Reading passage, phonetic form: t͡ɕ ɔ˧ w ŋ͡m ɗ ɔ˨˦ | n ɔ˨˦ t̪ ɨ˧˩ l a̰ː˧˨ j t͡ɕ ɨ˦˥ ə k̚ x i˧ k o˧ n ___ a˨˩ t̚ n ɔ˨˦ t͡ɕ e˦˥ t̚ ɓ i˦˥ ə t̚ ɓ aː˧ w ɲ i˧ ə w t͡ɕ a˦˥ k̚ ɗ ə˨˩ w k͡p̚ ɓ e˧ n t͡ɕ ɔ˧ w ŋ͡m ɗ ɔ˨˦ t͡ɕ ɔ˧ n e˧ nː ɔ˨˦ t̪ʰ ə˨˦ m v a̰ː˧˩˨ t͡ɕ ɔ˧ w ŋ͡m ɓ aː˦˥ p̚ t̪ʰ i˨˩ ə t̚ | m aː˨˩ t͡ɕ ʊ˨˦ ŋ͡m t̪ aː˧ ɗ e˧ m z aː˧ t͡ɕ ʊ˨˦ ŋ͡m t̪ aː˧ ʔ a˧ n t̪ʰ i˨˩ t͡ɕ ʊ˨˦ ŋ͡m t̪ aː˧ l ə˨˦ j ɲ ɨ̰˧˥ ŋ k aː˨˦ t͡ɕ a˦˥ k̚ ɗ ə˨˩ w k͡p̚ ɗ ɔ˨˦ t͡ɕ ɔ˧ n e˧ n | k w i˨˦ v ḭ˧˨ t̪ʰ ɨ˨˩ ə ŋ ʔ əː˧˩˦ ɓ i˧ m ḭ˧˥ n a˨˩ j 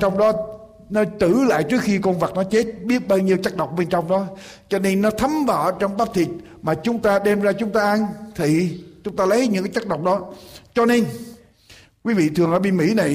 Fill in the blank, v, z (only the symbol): v